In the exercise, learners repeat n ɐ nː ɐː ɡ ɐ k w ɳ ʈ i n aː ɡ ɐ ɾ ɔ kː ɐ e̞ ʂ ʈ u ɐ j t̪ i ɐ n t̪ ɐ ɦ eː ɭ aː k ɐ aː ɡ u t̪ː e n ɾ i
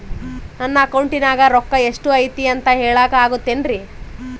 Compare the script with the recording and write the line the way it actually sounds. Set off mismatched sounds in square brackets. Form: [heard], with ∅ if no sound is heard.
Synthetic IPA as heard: n ɐ nː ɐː [k] ɐ [∅] w ɳ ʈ i n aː ɡ ɐ ɾ ɔ kː ɐ e̞ ʂ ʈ u ɐ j t̪ i ɐ n t̪ ɐ ɦ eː ɭ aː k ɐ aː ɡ u t̪ː e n ɾ i